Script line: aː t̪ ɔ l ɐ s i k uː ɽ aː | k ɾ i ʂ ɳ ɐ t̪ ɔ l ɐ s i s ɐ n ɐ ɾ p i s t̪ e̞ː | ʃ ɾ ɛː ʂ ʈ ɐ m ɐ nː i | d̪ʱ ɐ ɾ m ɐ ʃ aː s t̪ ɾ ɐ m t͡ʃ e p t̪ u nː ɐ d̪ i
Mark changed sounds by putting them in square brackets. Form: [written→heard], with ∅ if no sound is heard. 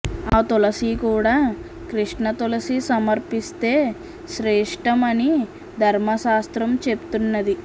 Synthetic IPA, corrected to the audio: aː t̪ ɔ l ɐ s i k uː ɽ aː | k ɾ i ʂ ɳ ɐ t̪ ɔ l ɐ s i s ɐ [n→m] ɐ ɾ p i s t̪ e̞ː | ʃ ɾ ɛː ʂ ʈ ɐ m ɐ [nː→n] i | d̪ʱ ɐ ɾ m ɐ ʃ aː s t̪ ɾ ɐ m t͡ʃ e p t̪ u nː ɐ d̪ i